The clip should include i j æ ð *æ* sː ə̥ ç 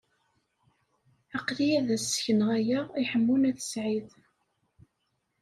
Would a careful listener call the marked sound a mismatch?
no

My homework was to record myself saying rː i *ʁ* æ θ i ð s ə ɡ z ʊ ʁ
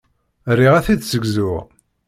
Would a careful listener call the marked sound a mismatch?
no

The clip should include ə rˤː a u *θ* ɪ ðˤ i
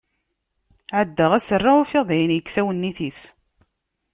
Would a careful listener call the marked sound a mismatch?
yes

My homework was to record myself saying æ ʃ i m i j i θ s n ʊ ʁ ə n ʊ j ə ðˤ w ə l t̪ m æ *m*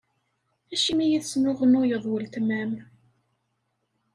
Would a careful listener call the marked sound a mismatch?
no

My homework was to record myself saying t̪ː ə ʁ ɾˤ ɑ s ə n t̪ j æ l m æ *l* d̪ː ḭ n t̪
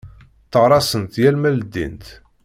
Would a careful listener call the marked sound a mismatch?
no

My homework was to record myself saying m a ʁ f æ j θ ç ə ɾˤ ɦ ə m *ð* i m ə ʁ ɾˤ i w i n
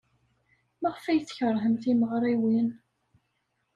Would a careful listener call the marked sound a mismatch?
yes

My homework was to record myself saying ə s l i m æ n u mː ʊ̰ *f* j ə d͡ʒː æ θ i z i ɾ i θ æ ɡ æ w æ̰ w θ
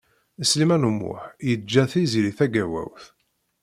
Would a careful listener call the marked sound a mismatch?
yes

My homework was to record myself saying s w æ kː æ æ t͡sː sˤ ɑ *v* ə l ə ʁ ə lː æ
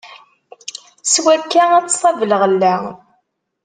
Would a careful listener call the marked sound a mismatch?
no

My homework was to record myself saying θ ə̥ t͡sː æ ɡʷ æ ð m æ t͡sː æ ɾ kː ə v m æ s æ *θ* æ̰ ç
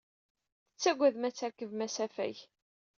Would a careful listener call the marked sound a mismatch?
yes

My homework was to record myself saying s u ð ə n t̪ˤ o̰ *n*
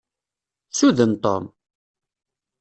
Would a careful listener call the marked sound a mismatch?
yes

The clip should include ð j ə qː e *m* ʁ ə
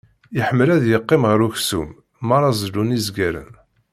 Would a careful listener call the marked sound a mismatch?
no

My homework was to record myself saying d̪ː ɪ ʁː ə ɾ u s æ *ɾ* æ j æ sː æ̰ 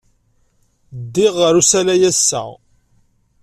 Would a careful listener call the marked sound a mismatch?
yes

